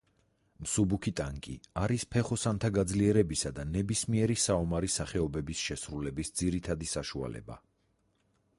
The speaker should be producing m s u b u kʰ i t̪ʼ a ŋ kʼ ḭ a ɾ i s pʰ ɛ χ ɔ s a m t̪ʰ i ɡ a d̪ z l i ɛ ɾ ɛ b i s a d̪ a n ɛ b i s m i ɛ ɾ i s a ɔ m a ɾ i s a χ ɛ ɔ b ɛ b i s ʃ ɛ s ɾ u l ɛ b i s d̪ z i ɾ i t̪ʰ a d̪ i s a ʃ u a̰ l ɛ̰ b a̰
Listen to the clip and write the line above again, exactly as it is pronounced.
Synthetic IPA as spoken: m s u b u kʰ i t̪ʼ a ŋ kʼ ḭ a ɾ i s pʰ ɛ χ ɔ s a n t̪ʰ a ɡ a d̪ z l i ɛ ɾ ɛ b i s a d̪ a n ɛ b i s m i ɛ ɾ i s a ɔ m a ɾ i s a χ ɛ ɔ b ɛ b i s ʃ ɛ s ɾ u l ɛ b i s d̪ z i ɾ i t̪ʰ a d̪ i s a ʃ u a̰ l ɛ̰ b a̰